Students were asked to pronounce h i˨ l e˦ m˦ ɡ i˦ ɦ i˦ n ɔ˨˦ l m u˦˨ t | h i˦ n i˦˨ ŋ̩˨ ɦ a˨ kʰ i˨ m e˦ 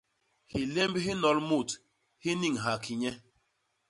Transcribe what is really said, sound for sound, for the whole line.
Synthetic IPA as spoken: h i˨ l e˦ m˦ b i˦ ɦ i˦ n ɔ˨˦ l m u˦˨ t | h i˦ n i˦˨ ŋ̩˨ ɦ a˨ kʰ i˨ ɲ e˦